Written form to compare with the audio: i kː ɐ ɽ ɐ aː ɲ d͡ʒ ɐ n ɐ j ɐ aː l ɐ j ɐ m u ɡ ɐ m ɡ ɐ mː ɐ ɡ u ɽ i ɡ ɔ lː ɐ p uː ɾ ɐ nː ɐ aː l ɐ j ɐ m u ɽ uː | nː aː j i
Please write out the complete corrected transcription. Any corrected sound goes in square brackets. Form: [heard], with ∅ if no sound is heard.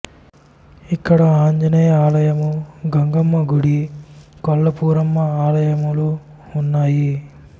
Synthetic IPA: i kː ɐ ɽ ɐ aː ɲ d͡ʒ ɐ n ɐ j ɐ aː l ɐ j ɐ m u ɡ ɐ [ŋ] ɡ ɐ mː ɐ ɡ u ɽ i [k] ɔ lː ɐ p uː ɾ ɐ [mː] ɐ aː l ɐ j ɐ m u [l] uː | nː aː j i